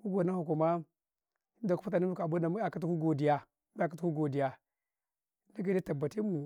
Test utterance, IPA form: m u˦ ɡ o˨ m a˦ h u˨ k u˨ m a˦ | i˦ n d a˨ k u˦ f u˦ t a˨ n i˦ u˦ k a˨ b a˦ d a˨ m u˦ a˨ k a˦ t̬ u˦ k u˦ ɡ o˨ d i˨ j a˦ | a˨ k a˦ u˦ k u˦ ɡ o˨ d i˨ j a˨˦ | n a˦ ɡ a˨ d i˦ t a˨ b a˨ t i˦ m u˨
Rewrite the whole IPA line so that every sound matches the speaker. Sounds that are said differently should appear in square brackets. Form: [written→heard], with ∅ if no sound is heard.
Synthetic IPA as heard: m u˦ ɡ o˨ [m→n] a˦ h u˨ k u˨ m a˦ | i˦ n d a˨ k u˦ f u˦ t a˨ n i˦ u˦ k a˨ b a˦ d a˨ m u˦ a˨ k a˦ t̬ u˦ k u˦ ɡ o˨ d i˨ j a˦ | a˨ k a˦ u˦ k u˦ ɡ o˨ d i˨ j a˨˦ | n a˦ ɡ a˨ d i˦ t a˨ b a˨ t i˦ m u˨